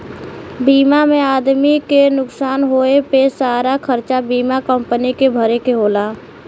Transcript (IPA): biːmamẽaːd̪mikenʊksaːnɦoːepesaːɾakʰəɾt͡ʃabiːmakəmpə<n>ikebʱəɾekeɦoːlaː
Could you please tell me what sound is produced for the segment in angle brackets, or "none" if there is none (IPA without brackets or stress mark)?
n